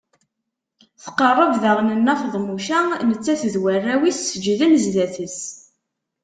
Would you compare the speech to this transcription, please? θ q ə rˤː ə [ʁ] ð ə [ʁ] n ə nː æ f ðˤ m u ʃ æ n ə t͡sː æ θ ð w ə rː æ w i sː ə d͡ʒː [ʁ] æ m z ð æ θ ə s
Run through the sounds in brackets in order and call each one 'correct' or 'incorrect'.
incorrect: v, correct, incorrect: ð

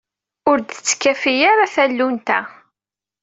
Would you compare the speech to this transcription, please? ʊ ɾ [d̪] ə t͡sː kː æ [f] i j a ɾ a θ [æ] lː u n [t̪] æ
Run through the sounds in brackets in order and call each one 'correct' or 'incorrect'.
correct, correct, correct, correct

